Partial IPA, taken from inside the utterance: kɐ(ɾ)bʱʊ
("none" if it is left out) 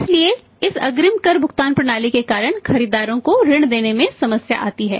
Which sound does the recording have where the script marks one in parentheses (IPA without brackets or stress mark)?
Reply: ɾ